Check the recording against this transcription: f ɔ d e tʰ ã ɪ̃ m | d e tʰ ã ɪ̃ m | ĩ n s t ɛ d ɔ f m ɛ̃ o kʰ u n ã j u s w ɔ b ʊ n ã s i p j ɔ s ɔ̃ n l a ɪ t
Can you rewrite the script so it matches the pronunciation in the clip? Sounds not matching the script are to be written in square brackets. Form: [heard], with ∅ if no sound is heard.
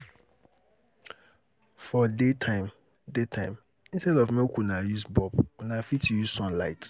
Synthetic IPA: f ɔ d e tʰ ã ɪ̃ m | d e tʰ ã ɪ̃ m | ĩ n s t ɛ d ɔ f m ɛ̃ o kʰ u n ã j u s [b] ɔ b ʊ n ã [f] i [t] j [u] s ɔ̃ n l a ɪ t